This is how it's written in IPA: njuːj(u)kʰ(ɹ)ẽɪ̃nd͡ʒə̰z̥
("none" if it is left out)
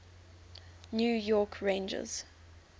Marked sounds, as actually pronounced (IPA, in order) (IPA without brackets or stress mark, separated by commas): ɔ, ɹ